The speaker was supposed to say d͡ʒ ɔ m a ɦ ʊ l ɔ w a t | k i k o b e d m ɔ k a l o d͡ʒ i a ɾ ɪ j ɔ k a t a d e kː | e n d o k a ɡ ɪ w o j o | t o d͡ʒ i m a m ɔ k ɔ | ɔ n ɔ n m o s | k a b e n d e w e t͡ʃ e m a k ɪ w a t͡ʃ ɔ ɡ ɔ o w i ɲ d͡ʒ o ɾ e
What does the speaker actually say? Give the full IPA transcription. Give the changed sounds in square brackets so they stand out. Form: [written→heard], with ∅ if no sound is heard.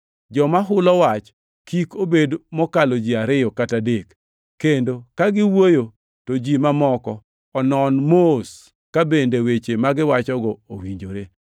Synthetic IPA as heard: d͡ʒ ɔ m a ɦ ʊ l ɔ w a [t→t͡ʃ] | k i k o b e d m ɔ k a l o d͡ʒ i a ɾ ɪ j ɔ k a t a d e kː | e n d o k a ɡ ɪ w o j o | t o d͡ʒ i m a m ɔ k ɔ | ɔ n ɔ n m o s | k a b e n d e w e t͡ʃ e m a [k→ɡ] ɪ w a t͡ʃ ɔ ɡ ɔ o w i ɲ d͡ʒ o ɾ e